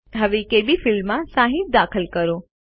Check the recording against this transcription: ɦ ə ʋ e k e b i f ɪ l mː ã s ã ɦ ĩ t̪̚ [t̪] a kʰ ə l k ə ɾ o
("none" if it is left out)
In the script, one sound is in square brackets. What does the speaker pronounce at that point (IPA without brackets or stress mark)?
d̪